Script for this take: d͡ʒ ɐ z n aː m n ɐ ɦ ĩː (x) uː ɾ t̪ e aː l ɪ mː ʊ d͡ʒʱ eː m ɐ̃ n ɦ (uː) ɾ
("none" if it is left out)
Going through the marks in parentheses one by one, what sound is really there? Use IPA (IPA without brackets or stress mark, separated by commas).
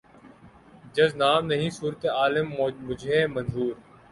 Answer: s, uː